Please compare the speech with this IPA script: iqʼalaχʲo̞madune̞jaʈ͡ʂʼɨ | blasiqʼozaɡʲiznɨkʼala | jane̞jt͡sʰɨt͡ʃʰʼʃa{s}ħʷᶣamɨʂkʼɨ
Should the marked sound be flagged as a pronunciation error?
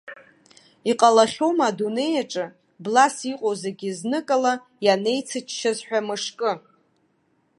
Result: yes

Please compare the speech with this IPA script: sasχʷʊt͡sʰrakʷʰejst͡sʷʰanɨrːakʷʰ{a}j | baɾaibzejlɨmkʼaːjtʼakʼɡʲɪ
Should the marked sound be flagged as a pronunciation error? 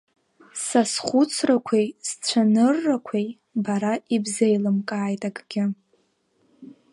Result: yes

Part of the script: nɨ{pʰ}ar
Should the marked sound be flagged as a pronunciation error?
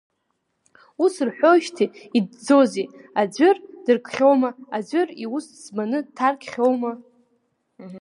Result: yes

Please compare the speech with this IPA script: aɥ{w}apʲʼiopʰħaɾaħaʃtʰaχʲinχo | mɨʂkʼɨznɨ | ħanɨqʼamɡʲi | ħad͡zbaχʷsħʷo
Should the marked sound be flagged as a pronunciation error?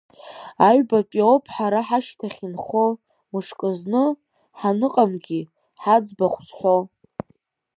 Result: yes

